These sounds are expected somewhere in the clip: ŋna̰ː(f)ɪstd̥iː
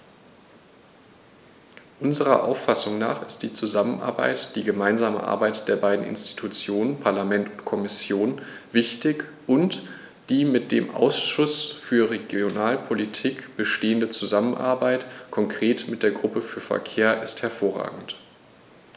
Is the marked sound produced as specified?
no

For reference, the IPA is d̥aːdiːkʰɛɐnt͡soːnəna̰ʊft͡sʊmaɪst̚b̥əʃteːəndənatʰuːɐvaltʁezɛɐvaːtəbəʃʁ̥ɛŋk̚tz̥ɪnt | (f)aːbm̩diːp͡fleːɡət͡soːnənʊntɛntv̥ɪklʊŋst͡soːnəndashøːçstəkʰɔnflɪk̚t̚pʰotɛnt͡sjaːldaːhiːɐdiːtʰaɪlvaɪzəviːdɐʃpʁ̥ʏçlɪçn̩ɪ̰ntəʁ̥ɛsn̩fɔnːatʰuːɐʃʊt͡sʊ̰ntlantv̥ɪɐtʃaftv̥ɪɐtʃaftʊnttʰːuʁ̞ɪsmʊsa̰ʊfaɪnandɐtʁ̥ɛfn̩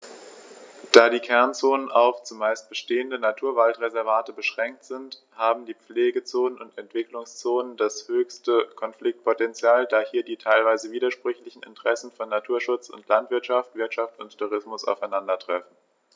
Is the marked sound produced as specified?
no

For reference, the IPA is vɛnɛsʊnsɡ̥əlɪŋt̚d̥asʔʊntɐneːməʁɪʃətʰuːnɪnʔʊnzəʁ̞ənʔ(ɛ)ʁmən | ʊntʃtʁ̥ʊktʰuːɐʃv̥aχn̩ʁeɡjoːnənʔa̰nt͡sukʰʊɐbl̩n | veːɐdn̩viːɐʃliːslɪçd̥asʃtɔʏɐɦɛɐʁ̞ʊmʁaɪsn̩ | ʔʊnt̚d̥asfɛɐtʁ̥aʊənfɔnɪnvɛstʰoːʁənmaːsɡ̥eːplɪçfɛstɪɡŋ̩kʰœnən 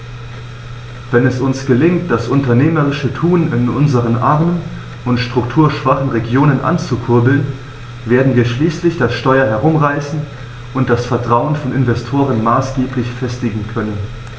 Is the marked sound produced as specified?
no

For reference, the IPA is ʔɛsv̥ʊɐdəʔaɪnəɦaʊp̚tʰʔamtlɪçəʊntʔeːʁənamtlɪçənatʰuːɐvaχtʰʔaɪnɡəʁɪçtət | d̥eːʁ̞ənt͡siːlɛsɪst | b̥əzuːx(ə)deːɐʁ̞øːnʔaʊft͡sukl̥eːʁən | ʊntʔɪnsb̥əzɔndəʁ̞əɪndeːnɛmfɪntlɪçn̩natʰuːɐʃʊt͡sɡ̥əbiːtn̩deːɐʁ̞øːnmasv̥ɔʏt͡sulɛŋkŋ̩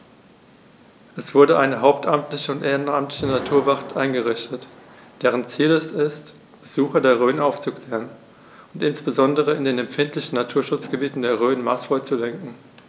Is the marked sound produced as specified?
no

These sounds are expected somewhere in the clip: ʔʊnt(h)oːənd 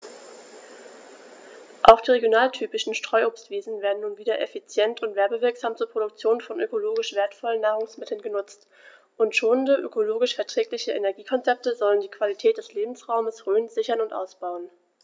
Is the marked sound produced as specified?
no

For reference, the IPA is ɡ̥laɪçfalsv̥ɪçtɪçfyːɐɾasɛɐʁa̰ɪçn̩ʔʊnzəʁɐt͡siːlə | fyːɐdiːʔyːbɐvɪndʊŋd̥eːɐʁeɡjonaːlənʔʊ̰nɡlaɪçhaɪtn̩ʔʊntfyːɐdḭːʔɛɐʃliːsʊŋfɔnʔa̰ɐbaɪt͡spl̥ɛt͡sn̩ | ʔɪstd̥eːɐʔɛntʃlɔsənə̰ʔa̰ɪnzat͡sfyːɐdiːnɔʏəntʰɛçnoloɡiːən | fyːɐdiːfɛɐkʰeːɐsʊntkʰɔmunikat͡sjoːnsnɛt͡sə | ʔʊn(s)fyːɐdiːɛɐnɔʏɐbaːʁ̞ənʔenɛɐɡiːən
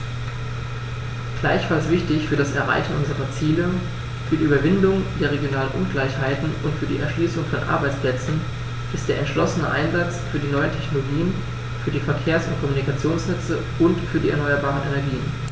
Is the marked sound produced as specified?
no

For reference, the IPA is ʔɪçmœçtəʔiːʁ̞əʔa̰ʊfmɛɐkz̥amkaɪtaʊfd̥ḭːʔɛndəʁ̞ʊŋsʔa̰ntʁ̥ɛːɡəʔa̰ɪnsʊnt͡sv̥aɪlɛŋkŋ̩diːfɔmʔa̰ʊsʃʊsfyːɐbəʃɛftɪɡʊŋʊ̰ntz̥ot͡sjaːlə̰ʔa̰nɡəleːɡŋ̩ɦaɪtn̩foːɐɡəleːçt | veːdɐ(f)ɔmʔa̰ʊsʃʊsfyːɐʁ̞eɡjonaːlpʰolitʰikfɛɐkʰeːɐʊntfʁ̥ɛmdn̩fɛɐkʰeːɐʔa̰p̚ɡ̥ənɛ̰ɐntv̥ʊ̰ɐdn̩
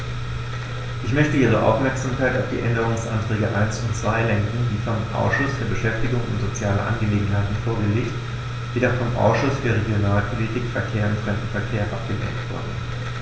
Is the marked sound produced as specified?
yes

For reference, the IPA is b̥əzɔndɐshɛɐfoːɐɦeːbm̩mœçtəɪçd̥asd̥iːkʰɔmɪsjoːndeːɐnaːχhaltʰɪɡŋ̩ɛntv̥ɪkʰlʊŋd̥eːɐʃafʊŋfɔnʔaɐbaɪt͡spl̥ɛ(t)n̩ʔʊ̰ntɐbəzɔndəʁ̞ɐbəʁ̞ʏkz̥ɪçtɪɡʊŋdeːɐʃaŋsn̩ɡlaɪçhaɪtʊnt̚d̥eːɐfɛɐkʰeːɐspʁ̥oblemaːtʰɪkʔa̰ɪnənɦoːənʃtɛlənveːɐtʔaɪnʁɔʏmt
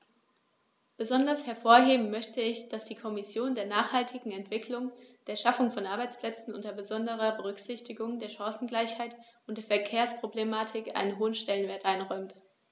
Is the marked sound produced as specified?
no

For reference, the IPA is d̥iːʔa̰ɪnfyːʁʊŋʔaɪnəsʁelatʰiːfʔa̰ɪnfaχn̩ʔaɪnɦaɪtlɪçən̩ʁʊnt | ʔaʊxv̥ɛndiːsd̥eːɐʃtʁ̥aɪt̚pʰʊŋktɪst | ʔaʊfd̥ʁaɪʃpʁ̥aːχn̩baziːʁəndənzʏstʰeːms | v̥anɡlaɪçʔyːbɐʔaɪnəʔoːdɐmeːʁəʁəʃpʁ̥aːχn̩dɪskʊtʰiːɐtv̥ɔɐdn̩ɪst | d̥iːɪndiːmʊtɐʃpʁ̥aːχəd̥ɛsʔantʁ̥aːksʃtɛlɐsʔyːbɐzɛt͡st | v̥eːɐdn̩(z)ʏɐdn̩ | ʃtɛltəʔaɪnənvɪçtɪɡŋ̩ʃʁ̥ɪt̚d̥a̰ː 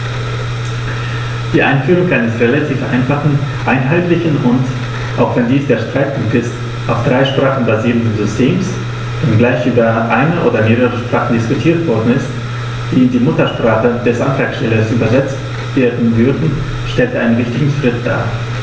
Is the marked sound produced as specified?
no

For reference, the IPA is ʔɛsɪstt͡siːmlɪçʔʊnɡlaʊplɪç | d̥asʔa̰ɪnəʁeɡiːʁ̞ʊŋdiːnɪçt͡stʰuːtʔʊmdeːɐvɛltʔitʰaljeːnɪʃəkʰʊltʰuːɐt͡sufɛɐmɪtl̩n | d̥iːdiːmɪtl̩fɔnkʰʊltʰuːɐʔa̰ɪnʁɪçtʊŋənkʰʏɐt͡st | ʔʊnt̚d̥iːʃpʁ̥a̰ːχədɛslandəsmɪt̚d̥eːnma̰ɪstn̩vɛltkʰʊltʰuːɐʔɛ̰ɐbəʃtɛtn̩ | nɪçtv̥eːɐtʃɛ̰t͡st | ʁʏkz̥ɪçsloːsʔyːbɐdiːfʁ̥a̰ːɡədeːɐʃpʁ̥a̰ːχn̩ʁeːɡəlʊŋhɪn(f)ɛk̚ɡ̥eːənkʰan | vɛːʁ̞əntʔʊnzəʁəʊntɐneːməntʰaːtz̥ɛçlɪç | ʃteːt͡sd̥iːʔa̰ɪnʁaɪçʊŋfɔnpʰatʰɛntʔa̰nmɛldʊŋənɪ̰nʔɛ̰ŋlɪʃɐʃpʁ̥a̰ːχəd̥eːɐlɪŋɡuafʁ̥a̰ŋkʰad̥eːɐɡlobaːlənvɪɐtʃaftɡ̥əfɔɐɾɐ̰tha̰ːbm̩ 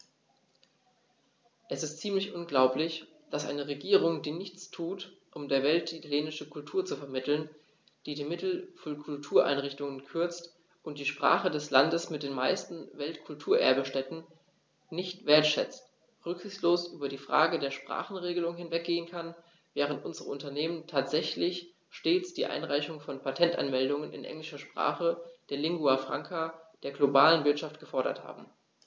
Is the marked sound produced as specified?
no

